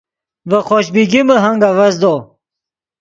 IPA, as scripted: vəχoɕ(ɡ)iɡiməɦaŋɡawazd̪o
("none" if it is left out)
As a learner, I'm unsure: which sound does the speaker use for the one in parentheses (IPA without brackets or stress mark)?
b